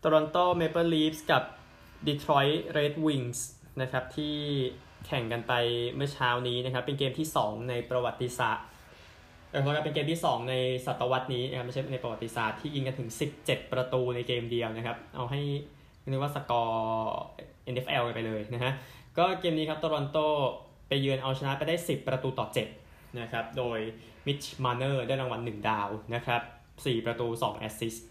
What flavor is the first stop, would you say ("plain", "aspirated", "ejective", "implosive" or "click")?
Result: plain